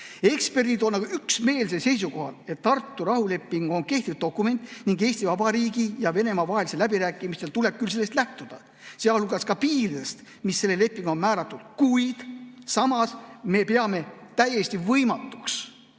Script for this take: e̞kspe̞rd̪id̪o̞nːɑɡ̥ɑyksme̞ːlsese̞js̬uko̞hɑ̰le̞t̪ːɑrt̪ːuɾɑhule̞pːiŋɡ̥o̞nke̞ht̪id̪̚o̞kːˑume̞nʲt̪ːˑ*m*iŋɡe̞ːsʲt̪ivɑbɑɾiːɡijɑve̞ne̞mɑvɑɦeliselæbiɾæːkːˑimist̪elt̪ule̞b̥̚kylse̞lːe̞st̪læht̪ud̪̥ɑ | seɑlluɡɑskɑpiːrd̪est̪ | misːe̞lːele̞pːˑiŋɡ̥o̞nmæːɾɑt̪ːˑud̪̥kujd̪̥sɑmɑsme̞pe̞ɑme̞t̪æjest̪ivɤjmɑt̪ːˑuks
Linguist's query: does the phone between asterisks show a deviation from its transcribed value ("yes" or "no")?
yes